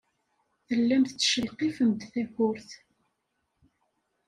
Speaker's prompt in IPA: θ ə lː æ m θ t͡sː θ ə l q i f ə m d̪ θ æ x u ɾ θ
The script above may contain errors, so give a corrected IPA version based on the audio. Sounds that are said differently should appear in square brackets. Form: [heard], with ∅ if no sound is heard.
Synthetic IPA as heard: θ ə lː æ m θ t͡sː [ʃ] ə l q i f ə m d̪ θ æ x [ʊ] ɾ θ